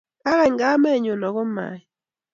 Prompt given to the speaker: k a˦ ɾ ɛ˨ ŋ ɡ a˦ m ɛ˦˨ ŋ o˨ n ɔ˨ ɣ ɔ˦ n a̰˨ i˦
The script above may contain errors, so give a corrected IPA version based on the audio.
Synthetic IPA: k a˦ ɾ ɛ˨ ŋ ɡ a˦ m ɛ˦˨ ɲ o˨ n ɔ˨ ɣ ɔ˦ m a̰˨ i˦